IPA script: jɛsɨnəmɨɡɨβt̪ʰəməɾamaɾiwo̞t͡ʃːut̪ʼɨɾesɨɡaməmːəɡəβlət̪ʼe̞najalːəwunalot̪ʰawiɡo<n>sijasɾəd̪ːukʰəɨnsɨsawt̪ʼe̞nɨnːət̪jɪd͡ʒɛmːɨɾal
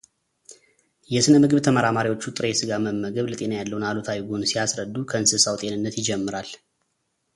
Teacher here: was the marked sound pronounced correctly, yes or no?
yes